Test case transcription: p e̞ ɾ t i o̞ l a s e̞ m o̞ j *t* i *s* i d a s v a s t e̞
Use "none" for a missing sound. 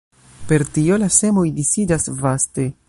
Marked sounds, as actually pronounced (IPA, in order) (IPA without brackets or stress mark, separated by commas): d, s